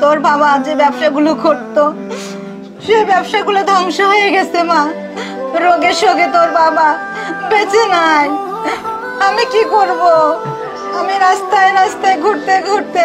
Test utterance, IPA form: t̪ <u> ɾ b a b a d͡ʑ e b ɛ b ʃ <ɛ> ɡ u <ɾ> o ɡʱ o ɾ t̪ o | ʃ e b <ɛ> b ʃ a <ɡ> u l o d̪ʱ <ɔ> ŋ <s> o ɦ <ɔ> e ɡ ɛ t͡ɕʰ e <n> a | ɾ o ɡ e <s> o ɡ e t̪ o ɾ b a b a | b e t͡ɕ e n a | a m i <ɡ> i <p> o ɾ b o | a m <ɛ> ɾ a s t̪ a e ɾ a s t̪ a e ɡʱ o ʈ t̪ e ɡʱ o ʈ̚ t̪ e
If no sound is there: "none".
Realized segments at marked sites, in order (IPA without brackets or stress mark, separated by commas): o, a, l, ɛ, ɡ, ɔ, ʃ, o, m, ʃ, k, k, i